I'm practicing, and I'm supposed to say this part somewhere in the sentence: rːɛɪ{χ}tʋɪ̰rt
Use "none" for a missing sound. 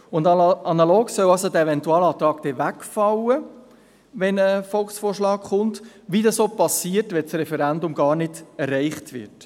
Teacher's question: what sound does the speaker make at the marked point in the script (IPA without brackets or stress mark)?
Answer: χ